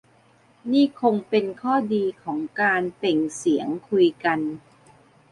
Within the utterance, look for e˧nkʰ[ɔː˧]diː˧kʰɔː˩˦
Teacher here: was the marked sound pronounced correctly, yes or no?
no